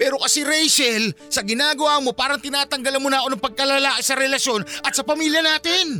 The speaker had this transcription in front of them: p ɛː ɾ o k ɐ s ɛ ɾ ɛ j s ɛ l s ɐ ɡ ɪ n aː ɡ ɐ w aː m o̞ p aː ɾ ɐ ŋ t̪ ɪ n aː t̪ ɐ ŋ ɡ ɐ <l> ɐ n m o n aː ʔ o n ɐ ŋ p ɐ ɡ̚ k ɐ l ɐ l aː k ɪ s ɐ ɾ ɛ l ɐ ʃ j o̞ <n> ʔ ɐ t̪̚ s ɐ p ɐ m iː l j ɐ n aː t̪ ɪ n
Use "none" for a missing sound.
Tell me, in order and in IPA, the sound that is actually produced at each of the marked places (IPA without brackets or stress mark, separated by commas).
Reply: l, n